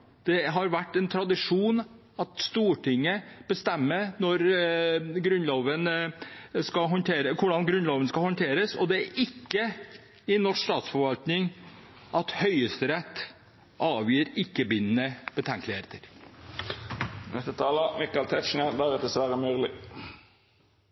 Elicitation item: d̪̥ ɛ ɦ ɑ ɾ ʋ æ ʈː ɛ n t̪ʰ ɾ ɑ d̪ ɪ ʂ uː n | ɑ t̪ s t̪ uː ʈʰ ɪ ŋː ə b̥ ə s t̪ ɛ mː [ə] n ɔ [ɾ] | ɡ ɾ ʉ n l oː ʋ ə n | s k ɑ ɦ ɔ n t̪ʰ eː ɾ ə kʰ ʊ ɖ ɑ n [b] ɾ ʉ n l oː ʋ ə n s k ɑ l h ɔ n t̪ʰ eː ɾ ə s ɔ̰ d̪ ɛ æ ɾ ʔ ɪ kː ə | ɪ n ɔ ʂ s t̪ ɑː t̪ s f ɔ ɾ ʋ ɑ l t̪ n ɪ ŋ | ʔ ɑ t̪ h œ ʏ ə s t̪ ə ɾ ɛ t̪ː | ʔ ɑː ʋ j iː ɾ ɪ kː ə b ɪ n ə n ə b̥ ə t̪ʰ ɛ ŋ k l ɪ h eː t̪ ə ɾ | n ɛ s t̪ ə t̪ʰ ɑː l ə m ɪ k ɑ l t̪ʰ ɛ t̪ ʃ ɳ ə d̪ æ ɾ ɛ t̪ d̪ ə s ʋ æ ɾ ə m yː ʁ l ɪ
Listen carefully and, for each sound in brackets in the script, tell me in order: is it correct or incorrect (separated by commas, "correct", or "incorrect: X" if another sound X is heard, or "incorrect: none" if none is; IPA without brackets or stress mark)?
correct, correct, incorrect: ɡ